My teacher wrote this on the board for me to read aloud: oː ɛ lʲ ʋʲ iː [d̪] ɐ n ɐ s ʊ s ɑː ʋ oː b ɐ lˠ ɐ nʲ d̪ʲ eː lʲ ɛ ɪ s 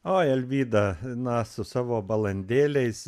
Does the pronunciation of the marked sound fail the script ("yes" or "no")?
no